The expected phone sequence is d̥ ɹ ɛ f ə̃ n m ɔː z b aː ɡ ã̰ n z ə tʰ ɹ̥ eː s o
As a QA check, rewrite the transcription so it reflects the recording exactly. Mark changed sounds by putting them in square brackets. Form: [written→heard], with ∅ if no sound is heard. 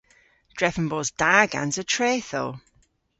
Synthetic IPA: d̥ ɹ ɛ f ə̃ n [m→b] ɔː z [b→d] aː ɡ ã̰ n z ə tʰ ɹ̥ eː [s→θ] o